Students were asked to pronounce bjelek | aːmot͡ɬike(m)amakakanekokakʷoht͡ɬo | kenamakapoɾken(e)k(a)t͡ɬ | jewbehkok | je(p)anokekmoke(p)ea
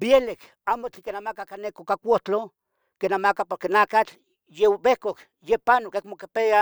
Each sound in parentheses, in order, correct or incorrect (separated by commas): incorrect, incorrect, correct, correct, correct